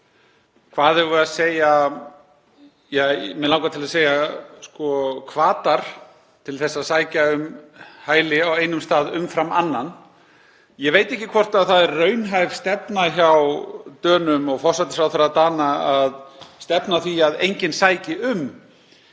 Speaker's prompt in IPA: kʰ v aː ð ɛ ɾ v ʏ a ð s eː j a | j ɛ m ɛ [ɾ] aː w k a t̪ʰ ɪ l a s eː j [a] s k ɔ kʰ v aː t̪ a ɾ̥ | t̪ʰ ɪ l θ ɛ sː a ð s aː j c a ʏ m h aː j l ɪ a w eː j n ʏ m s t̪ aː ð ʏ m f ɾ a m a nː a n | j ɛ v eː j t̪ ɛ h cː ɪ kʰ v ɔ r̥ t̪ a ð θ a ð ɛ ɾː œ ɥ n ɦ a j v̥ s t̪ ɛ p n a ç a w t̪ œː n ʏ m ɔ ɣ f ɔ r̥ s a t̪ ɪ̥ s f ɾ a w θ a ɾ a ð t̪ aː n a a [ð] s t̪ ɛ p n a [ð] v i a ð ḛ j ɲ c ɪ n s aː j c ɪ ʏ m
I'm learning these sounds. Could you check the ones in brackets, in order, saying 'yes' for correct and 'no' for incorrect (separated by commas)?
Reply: no, yes, yes, no